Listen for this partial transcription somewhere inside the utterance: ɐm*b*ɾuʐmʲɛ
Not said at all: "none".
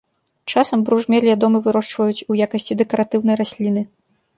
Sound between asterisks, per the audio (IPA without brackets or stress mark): b